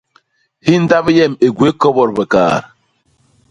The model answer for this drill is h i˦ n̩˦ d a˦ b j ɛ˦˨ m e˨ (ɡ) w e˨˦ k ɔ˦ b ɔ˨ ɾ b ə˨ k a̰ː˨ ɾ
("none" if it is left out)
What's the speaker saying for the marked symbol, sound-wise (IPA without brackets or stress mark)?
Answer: ɡ